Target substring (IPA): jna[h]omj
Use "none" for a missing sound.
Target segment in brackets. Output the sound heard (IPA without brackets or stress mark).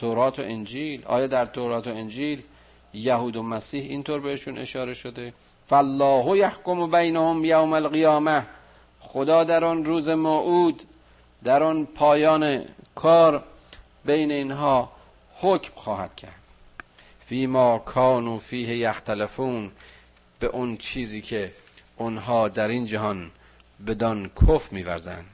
h